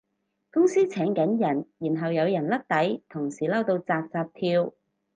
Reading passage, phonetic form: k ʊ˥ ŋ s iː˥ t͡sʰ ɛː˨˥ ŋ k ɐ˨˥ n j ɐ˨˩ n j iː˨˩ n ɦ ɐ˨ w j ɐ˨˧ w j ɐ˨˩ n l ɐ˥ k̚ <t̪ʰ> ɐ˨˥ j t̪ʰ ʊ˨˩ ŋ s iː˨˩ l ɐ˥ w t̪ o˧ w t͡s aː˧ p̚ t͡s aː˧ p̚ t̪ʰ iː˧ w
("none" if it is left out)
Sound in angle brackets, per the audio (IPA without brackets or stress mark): t̪